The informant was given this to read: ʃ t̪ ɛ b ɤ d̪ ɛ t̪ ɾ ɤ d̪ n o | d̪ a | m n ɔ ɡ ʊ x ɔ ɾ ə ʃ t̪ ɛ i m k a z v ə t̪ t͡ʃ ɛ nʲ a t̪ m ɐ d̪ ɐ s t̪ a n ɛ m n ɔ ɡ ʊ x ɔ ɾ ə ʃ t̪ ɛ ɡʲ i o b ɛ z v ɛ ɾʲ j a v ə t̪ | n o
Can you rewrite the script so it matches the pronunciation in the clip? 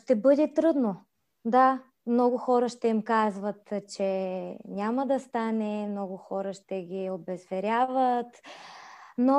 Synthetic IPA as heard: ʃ t̪ ɛ b ɤ d̪ ɛ t̪ ɾ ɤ d̪ n o | d̪ a | m n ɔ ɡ ʊ x ɔ ɾ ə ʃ t̪ ɛ i m k a z v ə t̪ t͡ʃ ɛ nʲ a m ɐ d̪ ɐ s t̪ a n ɛ m n ɔ ɡ ʊ x ɔ ɾ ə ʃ t̪ ɛ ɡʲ i o b ɛ z v ɛ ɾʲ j a v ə t̪ | n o